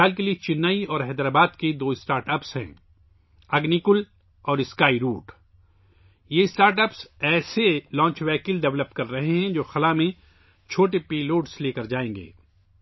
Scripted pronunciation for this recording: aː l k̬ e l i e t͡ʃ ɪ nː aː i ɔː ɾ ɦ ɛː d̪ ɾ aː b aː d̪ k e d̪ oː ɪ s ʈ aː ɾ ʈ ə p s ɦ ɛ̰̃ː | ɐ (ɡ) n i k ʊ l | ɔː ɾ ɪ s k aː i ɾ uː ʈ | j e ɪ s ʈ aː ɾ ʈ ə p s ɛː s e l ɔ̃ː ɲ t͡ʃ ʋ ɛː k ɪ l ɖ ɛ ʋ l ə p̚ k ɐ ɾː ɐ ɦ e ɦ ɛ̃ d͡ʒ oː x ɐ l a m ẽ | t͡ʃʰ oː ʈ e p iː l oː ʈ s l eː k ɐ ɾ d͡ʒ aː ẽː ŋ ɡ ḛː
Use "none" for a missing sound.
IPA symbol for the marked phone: ɡ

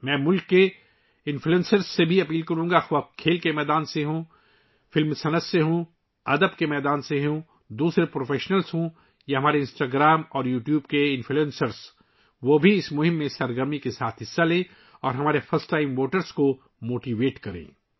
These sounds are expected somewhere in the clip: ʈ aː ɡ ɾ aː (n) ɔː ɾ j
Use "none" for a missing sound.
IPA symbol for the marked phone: m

